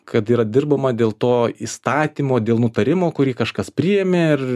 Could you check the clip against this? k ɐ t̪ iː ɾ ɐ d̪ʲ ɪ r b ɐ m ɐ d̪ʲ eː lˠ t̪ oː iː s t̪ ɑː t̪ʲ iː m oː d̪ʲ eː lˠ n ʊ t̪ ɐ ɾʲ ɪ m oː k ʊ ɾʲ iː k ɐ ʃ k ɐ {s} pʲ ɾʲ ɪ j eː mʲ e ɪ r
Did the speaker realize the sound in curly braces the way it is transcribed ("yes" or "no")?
yes